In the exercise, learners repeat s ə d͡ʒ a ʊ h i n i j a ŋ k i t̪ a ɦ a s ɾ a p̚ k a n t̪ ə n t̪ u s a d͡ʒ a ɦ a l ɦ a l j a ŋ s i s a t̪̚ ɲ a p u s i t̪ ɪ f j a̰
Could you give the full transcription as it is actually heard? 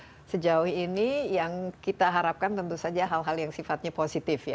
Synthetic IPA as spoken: s ə d͡ʒ a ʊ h i n i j a ŋ k i t̪ a ɦ a ɾ a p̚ k a n t̪ ə n t̪ u s a d͡ʒ a ɦ a l ɦ a l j a ŋ s i f a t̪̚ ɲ a p o s i t̪ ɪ f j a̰